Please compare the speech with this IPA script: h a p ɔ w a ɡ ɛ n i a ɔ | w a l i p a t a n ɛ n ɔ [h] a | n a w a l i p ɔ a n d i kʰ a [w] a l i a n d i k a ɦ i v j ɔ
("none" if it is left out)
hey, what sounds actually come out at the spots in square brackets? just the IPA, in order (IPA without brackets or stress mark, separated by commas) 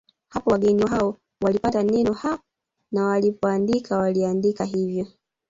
h, w